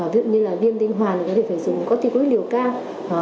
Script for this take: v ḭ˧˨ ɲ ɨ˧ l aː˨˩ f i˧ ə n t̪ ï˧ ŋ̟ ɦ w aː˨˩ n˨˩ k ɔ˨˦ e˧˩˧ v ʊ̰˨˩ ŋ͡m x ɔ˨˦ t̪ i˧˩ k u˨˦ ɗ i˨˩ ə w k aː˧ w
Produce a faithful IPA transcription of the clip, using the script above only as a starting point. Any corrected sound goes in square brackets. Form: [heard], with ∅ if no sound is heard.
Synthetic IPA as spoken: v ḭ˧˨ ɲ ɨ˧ l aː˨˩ [v] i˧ ə n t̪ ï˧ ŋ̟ ɦ w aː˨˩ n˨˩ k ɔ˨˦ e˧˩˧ [z] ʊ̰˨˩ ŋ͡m [k] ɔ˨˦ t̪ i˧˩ k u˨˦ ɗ i˨˩ ə w k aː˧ w